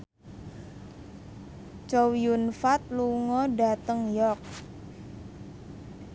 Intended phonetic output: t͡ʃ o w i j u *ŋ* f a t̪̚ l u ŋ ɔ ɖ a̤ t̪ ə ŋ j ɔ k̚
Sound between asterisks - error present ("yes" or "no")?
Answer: yes